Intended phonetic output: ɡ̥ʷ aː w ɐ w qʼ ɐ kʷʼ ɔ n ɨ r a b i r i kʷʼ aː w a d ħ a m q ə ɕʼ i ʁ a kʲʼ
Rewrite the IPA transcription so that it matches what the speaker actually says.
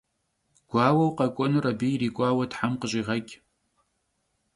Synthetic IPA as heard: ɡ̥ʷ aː w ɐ w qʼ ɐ kʷʼ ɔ n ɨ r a b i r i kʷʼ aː w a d ħ a m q ə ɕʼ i ʁ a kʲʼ